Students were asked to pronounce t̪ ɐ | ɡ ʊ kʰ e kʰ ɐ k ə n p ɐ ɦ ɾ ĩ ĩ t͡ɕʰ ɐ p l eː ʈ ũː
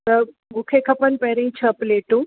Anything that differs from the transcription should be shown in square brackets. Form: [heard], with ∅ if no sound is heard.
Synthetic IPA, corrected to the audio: t̪ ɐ | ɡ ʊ kʰ e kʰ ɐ [p] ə n p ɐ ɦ ɾ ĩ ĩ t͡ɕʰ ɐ p l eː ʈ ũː